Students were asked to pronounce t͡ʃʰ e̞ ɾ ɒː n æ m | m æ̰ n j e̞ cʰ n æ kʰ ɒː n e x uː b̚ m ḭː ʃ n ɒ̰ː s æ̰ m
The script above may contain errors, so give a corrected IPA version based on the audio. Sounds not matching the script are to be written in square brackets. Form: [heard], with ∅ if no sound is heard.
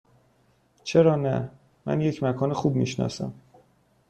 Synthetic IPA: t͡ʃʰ e̞ ɾ ɒː n æ [∅] | m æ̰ n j e̞ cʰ [m] æ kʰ ɒː n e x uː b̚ m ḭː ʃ n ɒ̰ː s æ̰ m